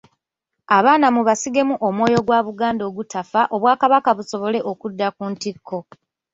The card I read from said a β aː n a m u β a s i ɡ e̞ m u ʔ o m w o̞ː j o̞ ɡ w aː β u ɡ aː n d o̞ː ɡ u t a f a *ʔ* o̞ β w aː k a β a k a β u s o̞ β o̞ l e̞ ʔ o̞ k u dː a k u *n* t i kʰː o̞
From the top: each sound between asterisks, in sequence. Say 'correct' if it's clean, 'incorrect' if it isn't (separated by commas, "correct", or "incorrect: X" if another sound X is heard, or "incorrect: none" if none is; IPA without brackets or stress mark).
correct, correct